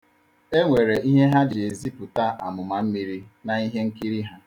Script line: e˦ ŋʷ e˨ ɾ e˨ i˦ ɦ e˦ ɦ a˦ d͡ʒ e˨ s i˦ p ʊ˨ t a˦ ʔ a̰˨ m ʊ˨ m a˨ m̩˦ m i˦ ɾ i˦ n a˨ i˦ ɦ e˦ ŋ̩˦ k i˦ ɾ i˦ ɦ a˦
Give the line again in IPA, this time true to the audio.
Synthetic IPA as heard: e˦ ŋʷ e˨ ɾ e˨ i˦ ɦ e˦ ɦ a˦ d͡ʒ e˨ z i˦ p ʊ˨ t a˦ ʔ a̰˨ m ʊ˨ m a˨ m̩˦ m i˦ ɾ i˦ n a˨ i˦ ɦ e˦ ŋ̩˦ k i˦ ɾ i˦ ɦ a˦